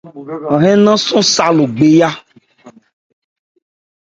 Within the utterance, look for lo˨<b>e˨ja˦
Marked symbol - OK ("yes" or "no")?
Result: no